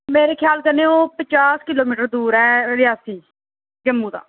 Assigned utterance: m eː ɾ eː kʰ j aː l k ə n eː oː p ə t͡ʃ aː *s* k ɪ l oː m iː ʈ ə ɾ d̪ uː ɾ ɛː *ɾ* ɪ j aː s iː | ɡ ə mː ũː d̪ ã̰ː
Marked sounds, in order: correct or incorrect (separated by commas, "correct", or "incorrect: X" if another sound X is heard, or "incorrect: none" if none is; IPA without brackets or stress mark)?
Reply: correct, correct